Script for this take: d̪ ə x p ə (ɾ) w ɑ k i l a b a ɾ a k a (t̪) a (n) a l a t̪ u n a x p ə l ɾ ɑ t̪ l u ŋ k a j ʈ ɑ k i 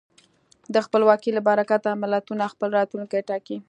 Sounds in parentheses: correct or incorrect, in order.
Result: incorrect: l, correct, incorrect: m

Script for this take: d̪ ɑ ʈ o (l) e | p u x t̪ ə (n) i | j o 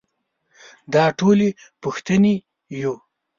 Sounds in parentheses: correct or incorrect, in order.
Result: correct, correct

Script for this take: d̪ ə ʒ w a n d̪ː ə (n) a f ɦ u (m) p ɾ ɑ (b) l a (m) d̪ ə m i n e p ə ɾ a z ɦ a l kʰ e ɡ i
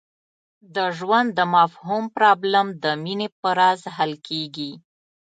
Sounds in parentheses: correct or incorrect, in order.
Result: incorrect: m, correct, correct, correct

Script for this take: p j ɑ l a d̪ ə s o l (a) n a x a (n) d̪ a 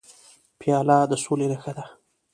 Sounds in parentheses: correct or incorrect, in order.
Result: incorrect: e, incorrect: none

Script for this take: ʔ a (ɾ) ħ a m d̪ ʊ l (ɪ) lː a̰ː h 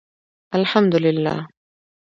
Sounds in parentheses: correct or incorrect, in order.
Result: incorrect: l, correct

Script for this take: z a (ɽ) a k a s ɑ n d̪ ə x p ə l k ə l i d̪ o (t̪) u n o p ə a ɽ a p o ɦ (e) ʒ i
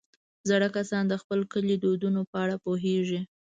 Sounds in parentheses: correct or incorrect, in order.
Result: correct, incorrect: d̪, correct

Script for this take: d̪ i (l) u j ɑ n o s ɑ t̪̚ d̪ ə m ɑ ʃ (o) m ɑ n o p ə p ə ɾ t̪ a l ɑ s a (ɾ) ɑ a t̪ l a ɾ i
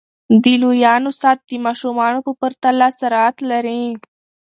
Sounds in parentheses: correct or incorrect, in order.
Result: correct, incorrect: u, correct

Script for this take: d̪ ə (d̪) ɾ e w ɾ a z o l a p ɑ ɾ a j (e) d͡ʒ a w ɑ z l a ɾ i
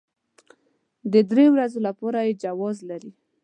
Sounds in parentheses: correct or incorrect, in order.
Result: correct, correct

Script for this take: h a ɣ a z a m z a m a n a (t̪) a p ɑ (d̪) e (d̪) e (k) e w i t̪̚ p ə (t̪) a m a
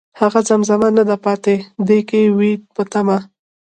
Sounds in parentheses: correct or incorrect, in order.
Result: incorrect: d̪, incorrect: t̪, correct, correct, correct

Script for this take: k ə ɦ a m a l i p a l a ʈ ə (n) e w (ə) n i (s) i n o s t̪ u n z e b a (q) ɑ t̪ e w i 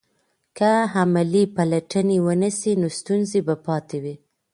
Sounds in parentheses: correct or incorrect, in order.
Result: correct, correct, correct, incorrect: p

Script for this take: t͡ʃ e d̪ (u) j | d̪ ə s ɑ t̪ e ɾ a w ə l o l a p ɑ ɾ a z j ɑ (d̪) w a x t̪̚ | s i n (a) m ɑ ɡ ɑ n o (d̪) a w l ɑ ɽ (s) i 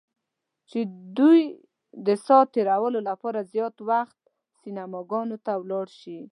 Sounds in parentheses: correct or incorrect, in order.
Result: correct, incorrect: t̪, correct, incorrect: t̪, incorrect: ʃ

